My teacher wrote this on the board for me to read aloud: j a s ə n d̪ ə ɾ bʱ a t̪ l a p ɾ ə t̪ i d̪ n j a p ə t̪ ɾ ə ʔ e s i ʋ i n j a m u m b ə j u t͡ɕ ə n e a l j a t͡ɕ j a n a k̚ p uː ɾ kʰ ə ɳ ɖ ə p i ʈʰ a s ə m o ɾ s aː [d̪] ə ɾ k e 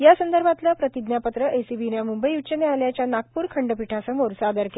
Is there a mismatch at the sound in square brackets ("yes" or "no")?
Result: no